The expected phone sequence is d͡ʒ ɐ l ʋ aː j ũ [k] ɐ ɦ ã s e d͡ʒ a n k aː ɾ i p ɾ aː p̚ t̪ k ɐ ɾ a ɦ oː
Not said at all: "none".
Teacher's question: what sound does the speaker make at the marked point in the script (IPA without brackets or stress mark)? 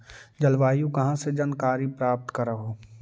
k